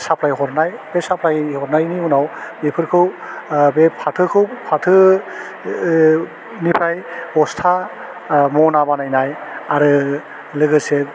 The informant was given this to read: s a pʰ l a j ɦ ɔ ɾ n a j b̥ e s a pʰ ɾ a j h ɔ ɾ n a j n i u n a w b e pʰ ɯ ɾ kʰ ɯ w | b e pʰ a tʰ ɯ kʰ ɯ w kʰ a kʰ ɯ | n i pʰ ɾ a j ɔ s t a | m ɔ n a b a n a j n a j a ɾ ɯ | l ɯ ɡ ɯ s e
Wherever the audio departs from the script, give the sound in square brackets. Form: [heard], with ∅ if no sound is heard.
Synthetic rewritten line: s a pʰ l a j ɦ ɔ ɾ n a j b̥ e s a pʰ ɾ a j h ɔ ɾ n a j n i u n a w b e pʰ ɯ ɾ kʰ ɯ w | b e pʰ a tʰ ɯ kʰ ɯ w [pʰ] a [tʰ] ɯ | n i pʰ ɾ a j ɔ s [tʰ] a | m ɔ n a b a n a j n a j a ɾ ɯ | l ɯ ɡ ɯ s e